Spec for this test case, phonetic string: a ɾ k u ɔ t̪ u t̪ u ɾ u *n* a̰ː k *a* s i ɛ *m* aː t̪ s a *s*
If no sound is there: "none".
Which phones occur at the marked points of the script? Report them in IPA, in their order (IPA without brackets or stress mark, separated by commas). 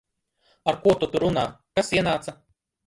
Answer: n, a, n, none